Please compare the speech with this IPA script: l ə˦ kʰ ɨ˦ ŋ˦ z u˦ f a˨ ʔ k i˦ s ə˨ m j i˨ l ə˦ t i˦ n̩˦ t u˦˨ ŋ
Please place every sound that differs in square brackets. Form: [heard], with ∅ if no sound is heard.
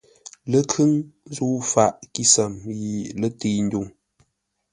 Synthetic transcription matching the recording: l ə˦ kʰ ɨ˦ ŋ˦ z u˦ f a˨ ʔ k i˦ s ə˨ m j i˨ l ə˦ t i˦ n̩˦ [d] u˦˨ ŋ